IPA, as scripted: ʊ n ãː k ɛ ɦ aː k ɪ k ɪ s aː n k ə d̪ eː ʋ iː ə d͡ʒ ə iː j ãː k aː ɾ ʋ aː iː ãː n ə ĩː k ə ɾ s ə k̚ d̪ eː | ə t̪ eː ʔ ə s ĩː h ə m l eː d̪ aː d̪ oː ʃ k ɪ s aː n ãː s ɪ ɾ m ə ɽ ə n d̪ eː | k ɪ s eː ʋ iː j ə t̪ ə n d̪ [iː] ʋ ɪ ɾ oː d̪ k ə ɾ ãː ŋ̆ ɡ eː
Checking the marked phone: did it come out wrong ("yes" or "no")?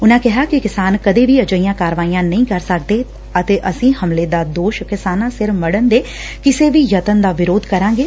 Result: yes